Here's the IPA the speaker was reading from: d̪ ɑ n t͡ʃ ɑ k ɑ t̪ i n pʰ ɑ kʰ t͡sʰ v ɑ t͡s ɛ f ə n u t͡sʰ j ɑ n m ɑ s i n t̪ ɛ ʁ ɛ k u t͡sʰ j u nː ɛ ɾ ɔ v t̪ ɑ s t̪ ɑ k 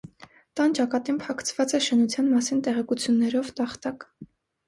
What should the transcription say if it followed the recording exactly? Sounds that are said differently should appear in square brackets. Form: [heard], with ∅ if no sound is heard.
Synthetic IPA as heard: [t̪] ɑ n t͡ʃ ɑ k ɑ t̪ i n pʰ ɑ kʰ t͡sʰ v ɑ t͡s ɛ [ʃ] ə n u t͡sʰ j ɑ n m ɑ s i n t̪ ɛ ʁ ɛ k u t͡sʰ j u nː ɛ ɾ ɔ v t̪ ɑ [χ] t̪ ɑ k